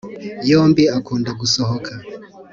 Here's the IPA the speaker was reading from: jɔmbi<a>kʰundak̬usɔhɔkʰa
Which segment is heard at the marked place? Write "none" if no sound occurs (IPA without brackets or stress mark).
a